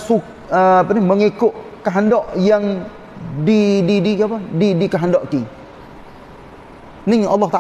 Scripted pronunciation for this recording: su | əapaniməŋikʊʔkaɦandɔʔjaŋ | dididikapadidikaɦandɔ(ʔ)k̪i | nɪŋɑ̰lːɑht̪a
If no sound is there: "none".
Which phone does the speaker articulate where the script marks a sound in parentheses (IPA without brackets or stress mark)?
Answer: ʔ